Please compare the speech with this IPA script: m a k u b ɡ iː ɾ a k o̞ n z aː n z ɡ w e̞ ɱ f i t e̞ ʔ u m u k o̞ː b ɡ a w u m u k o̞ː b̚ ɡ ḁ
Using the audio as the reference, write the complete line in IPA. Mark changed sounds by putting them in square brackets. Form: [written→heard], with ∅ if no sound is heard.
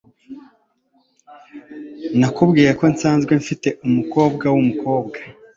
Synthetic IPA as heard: [m→n] a k u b ɡ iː ɾ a k o̞ n [z→s] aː n z ɡ w e̞ ɱ f i t e̞ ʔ u m u k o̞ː b ɡ a w u m u k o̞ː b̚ ɡ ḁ